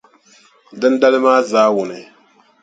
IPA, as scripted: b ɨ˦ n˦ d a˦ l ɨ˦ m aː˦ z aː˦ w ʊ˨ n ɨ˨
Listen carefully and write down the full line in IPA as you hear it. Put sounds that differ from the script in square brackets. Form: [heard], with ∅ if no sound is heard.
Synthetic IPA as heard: [d] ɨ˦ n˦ d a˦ l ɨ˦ m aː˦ z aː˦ w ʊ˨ n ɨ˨